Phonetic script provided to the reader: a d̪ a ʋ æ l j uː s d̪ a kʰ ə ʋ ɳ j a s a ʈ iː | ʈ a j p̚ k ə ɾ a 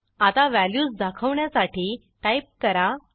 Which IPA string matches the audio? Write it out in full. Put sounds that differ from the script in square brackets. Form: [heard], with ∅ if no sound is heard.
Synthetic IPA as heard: a [t̪] a ʋ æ l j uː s d̪ a kʰ ə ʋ ɳ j a s a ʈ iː | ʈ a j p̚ k ə ɾ a